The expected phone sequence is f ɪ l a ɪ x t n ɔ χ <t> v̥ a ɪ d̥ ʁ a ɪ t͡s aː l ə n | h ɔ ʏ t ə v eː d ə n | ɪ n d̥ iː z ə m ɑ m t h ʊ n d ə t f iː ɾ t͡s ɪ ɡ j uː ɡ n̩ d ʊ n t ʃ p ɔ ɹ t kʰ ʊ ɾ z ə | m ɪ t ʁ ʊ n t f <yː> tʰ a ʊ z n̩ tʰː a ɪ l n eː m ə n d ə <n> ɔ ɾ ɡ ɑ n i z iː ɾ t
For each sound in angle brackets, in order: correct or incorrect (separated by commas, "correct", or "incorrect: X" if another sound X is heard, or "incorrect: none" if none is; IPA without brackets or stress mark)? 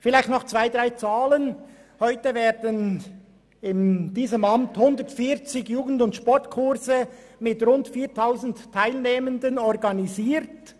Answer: incorrect: t͡s, incorrect: iː, correct